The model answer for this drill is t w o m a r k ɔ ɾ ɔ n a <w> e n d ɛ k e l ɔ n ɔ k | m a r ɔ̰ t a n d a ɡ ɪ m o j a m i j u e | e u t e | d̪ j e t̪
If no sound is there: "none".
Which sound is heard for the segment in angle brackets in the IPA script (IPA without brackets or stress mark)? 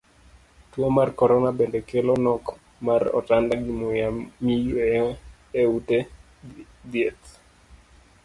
b